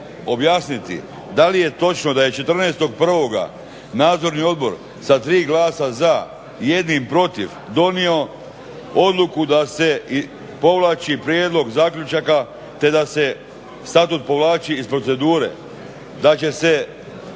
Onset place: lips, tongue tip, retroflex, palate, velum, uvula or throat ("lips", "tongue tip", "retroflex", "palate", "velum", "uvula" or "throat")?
lips